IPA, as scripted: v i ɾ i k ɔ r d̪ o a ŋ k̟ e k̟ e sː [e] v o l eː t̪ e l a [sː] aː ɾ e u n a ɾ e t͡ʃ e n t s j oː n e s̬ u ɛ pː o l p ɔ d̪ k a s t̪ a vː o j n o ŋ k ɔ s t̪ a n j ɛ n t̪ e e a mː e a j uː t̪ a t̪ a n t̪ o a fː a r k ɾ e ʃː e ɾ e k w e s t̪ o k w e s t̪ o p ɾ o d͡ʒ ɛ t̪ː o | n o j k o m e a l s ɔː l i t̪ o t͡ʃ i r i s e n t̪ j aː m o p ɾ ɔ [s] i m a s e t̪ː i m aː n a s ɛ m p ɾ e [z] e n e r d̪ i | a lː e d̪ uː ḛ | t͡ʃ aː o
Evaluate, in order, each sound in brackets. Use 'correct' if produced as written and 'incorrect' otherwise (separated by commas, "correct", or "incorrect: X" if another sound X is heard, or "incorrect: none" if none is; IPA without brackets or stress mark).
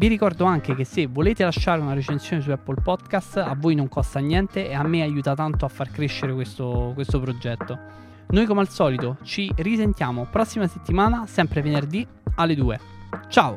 correct, incorrect: ʃː, incorrect: sː, incorrect: v